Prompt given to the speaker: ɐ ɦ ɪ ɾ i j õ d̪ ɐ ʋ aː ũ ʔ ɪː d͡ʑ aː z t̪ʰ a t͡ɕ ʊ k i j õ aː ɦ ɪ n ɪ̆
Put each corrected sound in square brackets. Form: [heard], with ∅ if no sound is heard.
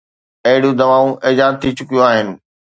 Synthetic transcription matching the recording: ɐ ɦ ɪ [ɽ] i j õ d̪ ɐ ʋ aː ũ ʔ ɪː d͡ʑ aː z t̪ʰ [i] t͡ɕ ʊ k i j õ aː ɦ ɪ n ɪ̆